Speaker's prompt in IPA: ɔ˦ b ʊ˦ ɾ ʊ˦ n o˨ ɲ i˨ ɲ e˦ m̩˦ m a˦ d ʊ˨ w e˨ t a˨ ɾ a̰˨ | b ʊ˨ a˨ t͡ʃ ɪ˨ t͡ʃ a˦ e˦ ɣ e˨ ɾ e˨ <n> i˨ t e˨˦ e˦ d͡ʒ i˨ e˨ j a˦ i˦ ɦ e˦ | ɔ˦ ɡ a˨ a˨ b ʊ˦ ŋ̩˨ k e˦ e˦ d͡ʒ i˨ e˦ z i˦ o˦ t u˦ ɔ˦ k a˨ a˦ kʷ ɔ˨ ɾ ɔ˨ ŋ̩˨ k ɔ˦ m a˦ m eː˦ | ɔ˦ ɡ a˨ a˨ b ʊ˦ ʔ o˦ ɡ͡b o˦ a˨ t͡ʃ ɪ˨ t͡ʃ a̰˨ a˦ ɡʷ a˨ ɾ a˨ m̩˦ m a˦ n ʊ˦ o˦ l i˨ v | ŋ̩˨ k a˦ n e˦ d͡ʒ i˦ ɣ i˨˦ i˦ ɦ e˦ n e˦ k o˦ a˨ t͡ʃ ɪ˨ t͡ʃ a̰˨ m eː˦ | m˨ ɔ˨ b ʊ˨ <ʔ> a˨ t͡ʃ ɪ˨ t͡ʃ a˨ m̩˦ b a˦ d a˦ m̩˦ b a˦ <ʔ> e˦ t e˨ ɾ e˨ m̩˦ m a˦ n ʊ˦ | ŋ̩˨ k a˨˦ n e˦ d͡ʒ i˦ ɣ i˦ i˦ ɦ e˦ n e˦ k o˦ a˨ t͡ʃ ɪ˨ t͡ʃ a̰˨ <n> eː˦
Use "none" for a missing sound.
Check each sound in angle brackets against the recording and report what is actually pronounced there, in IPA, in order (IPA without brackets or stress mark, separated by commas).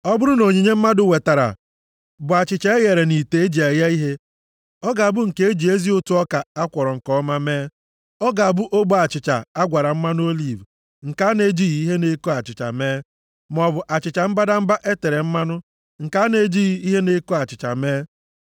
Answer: n, ʔ, ʔ, m